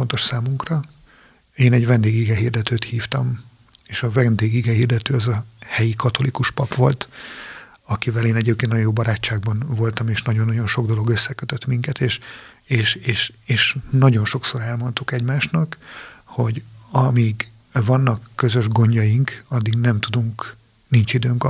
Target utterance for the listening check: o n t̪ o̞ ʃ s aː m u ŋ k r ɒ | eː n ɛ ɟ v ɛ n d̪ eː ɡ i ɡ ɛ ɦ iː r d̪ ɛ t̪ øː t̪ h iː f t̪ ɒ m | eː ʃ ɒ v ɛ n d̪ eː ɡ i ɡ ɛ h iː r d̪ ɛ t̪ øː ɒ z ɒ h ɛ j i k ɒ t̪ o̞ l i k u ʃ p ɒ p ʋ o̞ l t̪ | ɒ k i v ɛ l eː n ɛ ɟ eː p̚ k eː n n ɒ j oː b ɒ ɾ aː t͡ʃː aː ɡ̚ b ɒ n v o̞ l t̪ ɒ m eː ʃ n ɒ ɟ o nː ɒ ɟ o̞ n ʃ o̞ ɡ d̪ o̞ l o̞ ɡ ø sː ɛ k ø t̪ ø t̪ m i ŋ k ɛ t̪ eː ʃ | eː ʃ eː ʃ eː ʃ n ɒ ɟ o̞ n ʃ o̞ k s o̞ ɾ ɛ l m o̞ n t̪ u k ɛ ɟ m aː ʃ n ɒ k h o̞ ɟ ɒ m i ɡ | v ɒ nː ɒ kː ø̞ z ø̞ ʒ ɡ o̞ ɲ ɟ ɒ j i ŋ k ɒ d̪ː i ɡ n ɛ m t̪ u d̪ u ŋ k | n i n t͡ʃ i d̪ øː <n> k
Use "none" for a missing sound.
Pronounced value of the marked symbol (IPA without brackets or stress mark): ŋ